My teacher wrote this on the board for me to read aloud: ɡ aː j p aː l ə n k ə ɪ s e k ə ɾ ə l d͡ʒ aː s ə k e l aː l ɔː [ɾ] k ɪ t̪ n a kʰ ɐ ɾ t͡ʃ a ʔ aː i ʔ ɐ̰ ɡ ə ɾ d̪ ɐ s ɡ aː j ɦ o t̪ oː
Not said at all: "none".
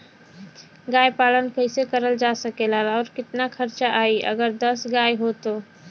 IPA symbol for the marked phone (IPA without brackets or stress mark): ɾ